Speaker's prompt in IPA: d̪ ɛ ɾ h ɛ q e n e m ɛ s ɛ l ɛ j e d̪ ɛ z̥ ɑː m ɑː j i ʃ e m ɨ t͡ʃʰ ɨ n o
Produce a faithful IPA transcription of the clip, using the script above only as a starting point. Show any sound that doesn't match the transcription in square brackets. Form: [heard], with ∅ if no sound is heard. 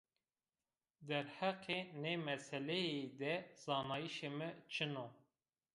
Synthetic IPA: d̪ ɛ ɾ h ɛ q e n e m ɛ s ɛ l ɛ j e d̪ ɛ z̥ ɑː [n] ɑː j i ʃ e m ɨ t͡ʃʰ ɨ n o